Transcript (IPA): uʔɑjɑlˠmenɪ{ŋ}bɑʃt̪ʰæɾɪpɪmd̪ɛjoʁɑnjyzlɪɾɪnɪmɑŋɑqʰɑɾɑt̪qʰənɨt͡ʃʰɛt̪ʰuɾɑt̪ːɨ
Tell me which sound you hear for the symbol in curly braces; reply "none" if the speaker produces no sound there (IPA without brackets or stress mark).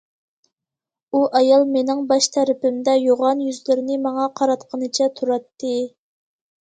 ŋ